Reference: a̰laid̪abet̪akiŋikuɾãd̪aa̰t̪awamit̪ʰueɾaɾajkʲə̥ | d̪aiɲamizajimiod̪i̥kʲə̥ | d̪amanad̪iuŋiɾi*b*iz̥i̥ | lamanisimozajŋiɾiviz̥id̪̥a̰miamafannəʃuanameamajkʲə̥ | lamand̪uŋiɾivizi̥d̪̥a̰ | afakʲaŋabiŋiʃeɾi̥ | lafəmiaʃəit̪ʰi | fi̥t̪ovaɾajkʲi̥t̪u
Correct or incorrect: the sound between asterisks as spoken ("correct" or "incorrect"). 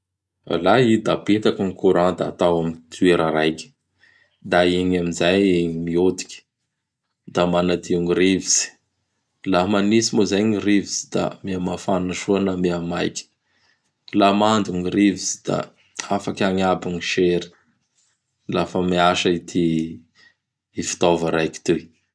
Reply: incorrect